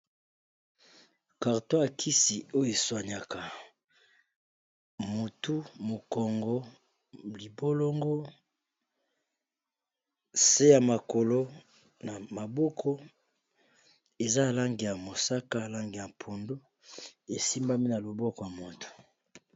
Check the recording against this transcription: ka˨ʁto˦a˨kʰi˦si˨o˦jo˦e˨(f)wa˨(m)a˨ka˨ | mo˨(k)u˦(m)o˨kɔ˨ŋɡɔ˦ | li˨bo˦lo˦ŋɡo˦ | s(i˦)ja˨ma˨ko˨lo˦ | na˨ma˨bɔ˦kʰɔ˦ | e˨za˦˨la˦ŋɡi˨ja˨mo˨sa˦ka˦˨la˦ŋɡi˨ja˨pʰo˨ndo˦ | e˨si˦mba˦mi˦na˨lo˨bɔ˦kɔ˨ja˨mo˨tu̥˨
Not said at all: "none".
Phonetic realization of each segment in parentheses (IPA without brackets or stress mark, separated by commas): s, ɲ, t, m, e˦